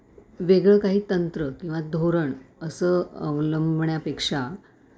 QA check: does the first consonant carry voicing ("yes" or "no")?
yes